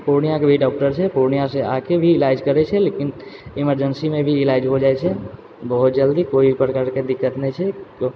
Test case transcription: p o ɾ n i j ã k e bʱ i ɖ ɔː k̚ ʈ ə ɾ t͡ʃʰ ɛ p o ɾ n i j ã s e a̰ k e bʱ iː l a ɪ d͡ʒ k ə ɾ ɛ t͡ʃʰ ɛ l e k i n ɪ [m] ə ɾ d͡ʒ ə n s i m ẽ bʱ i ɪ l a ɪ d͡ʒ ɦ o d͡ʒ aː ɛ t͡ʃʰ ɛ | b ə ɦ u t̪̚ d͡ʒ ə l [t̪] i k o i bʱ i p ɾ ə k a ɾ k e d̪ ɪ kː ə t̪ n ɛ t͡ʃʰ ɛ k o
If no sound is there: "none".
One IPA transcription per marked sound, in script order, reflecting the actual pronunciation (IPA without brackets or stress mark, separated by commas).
m, d̪